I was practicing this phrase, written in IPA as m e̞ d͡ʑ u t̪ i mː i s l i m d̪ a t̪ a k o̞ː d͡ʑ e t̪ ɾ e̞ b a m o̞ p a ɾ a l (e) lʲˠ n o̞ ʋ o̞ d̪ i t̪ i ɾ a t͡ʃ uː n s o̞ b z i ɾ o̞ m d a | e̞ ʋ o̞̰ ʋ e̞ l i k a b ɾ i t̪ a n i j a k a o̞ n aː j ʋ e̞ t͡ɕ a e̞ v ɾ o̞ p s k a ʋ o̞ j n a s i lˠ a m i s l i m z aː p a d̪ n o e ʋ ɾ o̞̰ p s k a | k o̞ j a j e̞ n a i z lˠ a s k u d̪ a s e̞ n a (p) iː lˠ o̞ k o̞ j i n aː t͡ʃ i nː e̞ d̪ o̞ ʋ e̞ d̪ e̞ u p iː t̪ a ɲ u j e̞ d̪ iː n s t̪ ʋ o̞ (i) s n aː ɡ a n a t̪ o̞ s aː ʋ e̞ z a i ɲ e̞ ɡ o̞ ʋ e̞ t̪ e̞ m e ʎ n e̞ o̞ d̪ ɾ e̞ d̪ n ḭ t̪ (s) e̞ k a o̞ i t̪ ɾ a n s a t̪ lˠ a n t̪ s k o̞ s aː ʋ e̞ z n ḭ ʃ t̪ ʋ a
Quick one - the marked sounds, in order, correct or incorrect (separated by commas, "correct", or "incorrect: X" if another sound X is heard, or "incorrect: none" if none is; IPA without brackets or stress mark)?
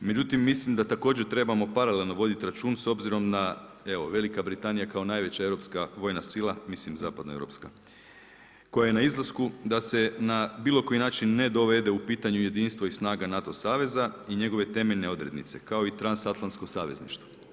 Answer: correct, incorrect: b, correct, correct